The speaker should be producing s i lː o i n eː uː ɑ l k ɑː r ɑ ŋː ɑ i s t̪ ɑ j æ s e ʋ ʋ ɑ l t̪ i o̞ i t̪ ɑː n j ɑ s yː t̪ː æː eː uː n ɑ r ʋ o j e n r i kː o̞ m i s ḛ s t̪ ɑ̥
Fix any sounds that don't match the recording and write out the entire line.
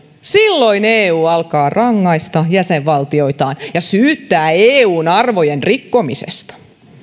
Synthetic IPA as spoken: s i lː o i n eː uː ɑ l k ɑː r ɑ ŋː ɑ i s t̪ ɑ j æ s e ʋ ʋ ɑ l t̪ i o̞ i t̪ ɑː n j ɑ s yː t̪ː æː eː uː n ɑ r ʋ o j e n r i kː o̞ m i s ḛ s t̪ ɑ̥